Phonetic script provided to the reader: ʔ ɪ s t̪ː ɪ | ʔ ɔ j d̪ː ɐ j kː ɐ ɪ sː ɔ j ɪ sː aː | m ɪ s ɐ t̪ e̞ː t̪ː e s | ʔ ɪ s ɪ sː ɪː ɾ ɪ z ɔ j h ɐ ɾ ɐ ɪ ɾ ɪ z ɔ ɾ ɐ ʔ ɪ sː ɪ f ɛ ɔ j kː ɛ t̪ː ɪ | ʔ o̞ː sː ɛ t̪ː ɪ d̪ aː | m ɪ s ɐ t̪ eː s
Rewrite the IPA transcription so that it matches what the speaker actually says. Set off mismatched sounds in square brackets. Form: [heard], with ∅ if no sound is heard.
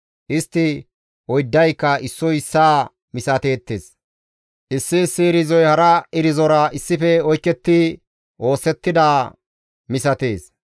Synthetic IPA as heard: ʔ ɪ s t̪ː ɪ | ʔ ɔ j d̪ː ɐ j kː ɐ ɪ sː ɔ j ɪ sː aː | m ɪ s ɐ t̪ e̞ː t̪ː e s | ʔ ɪ [sː] ɪ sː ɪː ɾ ɪ z ɔ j h ɐ ɾ ɐ ɪ ɾ ɪ z ɔ ɾ ɐ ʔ ɪ sː ɪ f ɛ ɔ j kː ɛ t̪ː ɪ | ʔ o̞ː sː ɛ t̪ː ɪ d̪ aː | m ɪ s ɐ t̪ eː s